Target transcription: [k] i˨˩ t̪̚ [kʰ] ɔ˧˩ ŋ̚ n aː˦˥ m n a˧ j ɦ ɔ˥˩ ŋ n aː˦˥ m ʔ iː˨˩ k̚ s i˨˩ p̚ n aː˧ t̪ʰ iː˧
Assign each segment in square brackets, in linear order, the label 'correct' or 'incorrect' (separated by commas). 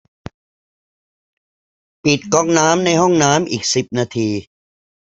incorrect, incorrect